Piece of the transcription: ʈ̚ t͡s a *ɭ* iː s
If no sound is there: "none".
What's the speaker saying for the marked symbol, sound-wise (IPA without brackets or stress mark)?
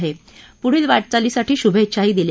l